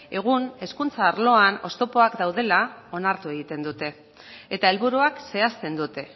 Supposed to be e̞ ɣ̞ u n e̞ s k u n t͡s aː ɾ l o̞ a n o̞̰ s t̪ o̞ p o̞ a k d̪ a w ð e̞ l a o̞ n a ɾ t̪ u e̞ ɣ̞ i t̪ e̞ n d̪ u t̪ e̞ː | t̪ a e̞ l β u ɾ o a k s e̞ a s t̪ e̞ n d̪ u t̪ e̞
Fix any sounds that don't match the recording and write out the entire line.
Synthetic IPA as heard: e̞ ɣ̞ u n e̞ s k u n t͡s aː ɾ l o̞ a n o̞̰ s t̪ o̞ p o̞ a k d̪ a w ð e̞ l a o̞ n a ɾ t̪ u e̞ ɣ̞ i t̪ e̞ n d̪ u t̪ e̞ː | t̪ a e̞ l β u ɾ u a k s e̞ a s t̪ e̞ n d̪ u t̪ e̞